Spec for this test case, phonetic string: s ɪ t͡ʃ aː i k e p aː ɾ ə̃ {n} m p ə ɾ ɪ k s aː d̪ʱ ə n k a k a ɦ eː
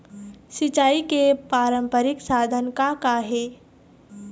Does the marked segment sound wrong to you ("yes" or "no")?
yes